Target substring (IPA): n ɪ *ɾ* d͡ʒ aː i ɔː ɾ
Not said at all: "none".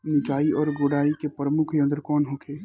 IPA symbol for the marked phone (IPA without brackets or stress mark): none